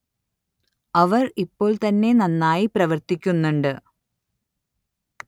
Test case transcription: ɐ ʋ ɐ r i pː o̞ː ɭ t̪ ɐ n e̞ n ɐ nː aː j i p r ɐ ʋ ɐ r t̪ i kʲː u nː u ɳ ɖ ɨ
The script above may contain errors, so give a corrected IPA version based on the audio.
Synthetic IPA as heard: ɐ ʋ ɐ r i pː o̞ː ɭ t̪ ɐ nː e̞ n ɐ nː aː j i p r ɐ ʋ ɐ r t̪ i kʲː u nː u ɳ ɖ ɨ